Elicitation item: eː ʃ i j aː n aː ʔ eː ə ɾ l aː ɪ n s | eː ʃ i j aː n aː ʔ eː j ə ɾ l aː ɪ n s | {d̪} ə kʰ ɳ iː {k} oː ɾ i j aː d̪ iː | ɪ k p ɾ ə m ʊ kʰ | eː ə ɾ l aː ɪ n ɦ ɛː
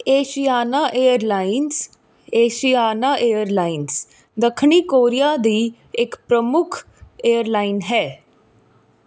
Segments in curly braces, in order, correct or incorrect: correct, correct

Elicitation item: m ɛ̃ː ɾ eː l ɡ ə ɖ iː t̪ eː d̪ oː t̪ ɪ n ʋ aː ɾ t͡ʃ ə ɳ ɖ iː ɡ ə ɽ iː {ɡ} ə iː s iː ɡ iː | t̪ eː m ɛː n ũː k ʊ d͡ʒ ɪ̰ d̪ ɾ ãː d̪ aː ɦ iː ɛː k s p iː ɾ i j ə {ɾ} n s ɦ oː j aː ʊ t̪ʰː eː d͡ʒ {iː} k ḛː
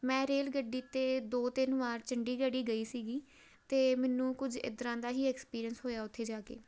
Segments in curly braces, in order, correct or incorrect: correct, incorrect: none, incorrect: aː

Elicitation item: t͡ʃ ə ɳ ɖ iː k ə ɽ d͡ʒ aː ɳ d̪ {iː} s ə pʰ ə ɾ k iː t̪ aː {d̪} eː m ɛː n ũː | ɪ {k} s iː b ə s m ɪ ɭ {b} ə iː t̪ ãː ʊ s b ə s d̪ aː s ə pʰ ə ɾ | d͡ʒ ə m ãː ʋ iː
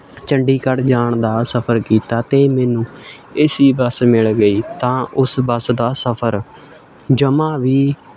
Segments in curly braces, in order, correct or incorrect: incorrect: aː, incorrect: t̪, incorrect: none, incorrect: ɡ

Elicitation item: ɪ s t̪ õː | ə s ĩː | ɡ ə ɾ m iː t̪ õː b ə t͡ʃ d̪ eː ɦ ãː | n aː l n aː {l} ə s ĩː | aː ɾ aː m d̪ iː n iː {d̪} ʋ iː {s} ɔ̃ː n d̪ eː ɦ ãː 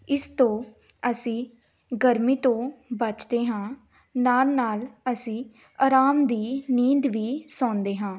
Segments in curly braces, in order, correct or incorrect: correct, correct, correct

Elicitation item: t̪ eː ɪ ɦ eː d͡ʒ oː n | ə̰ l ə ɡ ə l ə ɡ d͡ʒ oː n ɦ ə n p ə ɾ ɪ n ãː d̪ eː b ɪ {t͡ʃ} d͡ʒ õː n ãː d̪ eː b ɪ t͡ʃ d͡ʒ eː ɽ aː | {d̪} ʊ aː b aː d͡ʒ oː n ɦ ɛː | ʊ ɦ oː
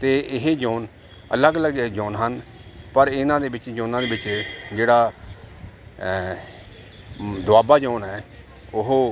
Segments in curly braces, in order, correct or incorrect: correct, correct

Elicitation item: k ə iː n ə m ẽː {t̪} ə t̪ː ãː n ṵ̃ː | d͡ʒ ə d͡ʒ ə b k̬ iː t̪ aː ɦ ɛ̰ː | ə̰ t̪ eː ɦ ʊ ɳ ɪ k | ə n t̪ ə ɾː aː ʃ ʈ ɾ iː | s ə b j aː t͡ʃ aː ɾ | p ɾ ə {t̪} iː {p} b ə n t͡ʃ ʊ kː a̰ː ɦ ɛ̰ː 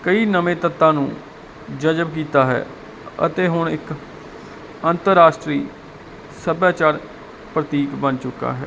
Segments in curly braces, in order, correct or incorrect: correct, correct, incorrect: k

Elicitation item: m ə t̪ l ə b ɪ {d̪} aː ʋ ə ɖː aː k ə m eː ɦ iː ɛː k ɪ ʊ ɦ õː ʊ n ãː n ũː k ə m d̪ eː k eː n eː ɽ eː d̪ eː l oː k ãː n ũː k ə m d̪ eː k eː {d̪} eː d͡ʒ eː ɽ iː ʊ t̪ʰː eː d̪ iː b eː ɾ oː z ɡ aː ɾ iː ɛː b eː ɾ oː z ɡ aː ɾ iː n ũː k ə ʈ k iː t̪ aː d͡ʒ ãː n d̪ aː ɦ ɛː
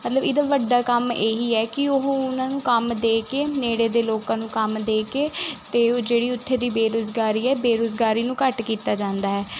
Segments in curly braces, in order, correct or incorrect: correct, incorrect: t̪

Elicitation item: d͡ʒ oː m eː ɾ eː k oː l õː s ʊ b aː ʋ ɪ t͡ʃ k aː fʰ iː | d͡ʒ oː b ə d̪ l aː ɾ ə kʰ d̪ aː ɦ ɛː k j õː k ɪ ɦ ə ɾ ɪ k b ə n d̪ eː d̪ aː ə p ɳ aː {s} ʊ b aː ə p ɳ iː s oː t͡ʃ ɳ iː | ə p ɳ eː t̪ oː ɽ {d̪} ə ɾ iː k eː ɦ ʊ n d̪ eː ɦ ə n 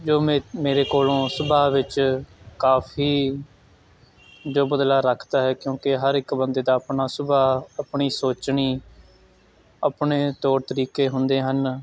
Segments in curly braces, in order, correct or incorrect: correct, incorrect: t̪

